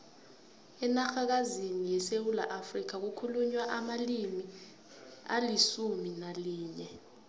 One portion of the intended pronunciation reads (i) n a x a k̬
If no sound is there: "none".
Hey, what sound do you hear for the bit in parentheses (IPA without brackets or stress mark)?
ɛ